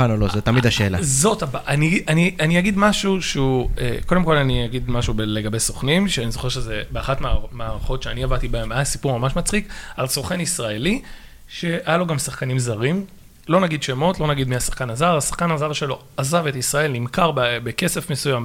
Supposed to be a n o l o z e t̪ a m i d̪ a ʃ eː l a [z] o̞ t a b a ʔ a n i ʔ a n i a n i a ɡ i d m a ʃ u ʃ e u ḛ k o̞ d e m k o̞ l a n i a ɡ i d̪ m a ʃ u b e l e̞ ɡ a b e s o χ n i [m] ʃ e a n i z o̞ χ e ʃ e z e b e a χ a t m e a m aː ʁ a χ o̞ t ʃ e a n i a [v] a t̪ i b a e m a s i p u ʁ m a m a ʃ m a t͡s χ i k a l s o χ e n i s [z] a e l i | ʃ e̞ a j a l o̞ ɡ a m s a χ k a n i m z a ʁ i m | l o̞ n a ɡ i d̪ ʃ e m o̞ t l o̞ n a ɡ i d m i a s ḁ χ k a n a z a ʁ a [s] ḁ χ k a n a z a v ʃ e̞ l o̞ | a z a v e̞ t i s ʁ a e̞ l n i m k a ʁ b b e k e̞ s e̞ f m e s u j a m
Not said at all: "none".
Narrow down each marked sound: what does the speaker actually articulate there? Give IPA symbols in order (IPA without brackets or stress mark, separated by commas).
z, m, v, ʁ, s